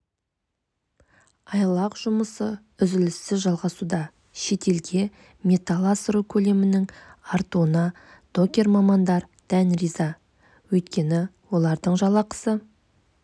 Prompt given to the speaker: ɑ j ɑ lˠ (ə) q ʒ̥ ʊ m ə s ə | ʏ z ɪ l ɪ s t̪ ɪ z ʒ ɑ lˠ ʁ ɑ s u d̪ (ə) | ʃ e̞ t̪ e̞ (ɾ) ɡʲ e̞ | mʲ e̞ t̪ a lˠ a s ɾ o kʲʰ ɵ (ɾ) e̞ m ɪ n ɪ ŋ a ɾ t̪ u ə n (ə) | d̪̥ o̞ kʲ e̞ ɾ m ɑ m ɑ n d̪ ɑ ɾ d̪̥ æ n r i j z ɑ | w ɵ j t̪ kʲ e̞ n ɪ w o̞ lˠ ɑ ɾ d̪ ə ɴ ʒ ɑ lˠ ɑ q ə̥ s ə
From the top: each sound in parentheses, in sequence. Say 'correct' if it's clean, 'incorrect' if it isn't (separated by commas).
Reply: incorrect, incorrect, incorrect, incorrect, incorrect